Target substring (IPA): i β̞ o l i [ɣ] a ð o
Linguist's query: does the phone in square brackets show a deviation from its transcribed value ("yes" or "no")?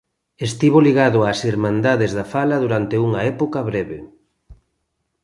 no